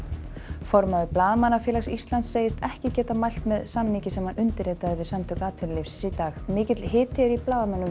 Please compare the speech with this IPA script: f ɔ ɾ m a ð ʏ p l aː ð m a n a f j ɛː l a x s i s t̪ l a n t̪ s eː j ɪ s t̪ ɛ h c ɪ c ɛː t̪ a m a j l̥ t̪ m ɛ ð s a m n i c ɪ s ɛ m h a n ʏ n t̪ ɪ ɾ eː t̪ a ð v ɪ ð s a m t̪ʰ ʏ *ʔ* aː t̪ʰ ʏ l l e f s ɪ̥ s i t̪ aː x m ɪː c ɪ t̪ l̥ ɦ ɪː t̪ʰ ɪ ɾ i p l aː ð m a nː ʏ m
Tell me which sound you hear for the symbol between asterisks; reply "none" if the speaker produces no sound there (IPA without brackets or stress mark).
k